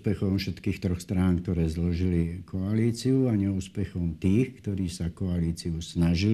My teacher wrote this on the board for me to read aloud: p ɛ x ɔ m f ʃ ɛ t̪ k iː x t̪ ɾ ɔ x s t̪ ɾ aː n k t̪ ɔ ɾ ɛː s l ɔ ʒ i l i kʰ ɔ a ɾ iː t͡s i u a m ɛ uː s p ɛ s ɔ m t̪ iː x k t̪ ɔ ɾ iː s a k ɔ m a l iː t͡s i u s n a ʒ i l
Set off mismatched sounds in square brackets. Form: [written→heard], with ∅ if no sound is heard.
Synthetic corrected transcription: p ɛ x ɔ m f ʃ ɛ t̪ k iː x t̪ ɾ ɔ x s t̪ ɾ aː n k t̪ ɔ ɾ ɛː [s→z] l ɔ ʒ i l i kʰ ɔ a [ɾ→l] iː t͡s i u a [m→ɲ] ɛ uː s p ɛ [s→x] ɔ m t̪ iː x k t̪ ɔ ɾ iː s a k ɔ [m→∅] a l iː t͡s i u s n a ʒ i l